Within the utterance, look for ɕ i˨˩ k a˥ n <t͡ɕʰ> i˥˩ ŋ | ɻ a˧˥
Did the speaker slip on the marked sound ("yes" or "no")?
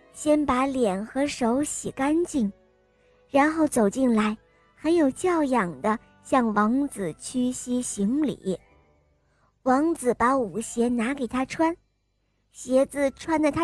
yes